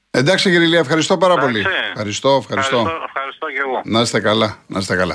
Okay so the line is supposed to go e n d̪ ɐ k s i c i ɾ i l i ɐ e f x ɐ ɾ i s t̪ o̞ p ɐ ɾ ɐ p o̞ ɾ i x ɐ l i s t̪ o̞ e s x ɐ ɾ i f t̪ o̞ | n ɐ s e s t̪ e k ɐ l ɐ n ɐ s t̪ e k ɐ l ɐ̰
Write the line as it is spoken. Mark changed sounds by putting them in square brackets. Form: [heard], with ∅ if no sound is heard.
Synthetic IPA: e n d̪ ɐ k s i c i ɾ i l i ɐ e f x ɐ ɾ i s t̪ o̞ p ɐ ɾ ɐ p o̞ [l] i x ɐ [ɾ] i s t̪ o̞ e [f] x ɐ ɾ i [s] t̪ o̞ | n ɐ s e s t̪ e k ɐ l ɐ n ɐ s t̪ e k ɐ l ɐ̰